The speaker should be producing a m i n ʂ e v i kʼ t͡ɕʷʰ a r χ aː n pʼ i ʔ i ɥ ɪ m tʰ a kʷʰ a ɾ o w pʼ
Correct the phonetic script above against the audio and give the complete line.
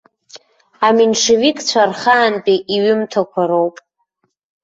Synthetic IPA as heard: a m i n ʂ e v i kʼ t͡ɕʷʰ a r χ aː n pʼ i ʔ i ɥ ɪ m tʰ a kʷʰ a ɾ o w pʼ